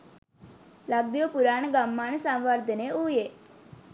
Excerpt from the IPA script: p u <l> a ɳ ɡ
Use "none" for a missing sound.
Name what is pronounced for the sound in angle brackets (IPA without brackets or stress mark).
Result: ɾ